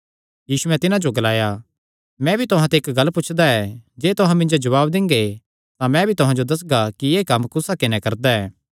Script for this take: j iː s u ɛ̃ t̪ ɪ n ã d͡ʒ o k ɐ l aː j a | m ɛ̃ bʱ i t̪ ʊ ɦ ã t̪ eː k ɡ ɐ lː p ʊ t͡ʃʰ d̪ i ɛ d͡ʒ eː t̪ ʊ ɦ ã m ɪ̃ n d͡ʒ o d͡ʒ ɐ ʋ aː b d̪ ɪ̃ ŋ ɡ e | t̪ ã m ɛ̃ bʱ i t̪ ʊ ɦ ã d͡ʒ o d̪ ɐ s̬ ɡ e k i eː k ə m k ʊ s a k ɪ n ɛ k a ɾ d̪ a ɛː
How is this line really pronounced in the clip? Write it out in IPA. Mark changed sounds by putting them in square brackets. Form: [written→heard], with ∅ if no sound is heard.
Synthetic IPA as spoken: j iː s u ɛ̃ t̪ ɪ n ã d͡ʒ o [k→ɡ] ɐ l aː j a | m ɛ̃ bʱ i t̪ ʊ ɦ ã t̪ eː k ɡ ɐ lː p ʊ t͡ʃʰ d̪ [i→a] ɛ d͡ʒ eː t̪ ʊ ɦ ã m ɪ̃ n d͡ʒ o d͡ʒ ɐ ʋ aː b d̪ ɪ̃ ŋ ɡ e | t̪ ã m ɛ̃ bʱ i t̪ ʊ ɦ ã d͡ʒ o d̪ ɐ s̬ ɡ [e→a] k i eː k [ə→ɐ] m k ʊ s a k ɪ n ɛ k [a→ɐ] ɾ d̪ a ɛː